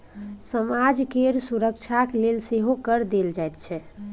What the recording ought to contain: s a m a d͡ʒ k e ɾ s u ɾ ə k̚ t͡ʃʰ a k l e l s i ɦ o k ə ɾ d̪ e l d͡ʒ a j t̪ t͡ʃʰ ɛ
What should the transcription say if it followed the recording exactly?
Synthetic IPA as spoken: s ə m a d͡ʒ k e ɾ s u ɾ ə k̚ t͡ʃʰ a k l e l s e ɦ o k ə ɾ d̪ e l d͡ʒ a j t̪ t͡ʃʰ ɛ